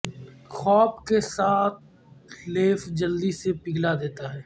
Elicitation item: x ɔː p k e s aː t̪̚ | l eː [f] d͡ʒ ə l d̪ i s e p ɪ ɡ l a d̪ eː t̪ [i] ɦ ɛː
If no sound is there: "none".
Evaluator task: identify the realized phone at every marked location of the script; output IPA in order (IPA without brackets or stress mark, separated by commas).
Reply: f, a